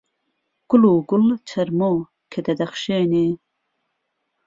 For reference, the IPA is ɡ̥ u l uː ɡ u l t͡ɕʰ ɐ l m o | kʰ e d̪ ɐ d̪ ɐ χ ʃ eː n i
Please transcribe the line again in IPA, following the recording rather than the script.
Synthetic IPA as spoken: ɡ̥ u l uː ɡ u l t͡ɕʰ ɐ ɾ m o | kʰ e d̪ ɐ d̪ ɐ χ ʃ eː n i